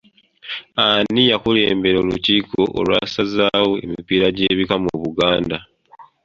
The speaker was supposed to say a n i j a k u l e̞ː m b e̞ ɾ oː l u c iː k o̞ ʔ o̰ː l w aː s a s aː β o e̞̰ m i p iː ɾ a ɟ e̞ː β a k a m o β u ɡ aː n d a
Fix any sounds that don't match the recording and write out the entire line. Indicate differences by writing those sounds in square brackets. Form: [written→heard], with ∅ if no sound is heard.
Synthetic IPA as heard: a n i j a k u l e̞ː m b e̞ ɾ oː l u c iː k o̞ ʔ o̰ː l w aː s a [s→z] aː [β→w] o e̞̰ m i p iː ɾ a ɟ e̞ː β [a→i] k a m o β u ɡ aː n d a